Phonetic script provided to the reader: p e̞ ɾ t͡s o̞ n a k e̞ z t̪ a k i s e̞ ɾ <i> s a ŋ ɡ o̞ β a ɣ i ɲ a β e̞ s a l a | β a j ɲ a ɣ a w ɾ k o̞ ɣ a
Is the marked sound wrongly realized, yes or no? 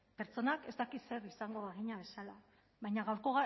no